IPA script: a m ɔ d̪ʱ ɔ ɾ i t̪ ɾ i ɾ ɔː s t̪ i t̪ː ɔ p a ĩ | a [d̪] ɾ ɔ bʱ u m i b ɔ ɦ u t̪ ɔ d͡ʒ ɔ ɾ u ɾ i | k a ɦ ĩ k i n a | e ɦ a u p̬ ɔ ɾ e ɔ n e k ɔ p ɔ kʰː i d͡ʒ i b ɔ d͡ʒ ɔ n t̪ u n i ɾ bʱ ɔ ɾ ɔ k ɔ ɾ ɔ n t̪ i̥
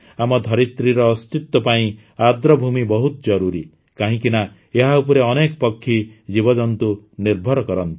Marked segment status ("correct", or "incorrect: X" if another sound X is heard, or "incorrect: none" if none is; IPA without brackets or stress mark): correct